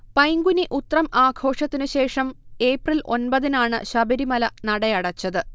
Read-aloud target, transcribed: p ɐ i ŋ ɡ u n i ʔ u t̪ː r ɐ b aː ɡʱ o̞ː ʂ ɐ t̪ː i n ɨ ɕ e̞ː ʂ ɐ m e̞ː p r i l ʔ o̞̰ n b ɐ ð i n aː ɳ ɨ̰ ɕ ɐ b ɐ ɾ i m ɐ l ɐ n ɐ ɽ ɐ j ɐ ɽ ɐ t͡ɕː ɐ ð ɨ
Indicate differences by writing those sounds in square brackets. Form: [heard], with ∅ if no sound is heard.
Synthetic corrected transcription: p ɐ [j] ŋ ɡ u n i ʔ u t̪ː r ɐ [m] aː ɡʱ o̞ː ʂ ɐ t̪ː i n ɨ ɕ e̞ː ʂ ɐ m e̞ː p r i l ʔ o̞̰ n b ɐ ð i n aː ɳ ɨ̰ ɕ ɐ b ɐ ɾ i m ɐ l ɐ n ɐ ɽ ɐ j ɐ ɽ ɐ t͡ɕː ɐ ð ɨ